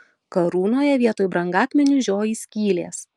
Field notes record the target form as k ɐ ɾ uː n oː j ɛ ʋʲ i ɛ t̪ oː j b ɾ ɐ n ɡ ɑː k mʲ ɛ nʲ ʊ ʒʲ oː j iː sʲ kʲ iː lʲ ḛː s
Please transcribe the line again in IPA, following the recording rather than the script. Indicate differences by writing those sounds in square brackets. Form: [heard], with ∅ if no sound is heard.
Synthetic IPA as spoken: k ɐ ɾ uː n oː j ɛ ʋʲ i ɛ t̪ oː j b ɾ ɐ [ŋ] ɡ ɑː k mʲ ɛ nʲ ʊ ʒʲ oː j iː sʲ kʲ iː lʲ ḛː s

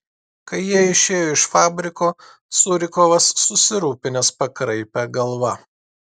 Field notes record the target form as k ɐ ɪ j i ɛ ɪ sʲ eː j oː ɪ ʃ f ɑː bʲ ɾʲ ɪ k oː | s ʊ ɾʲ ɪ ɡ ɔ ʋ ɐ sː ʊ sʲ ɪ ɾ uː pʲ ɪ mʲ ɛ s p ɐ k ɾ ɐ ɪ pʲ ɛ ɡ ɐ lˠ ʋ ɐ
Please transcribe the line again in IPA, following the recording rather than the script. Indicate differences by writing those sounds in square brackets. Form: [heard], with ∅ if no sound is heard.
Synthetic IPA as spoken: k ɐ ɪ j i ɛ ɪ [ʃʲ] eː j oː ɪ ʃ f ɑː bʲ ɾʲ ɪ k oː | s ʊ ɾʲ ɪ [k] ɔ ʋ ɐ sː ʊ sʲ ɪ ɾ uː pʲ ɪ [nʲ] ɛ s p ɐ k ɾ ɐ ɪ pʲ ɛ ɡ ɐ lˠ ʋ ɐ

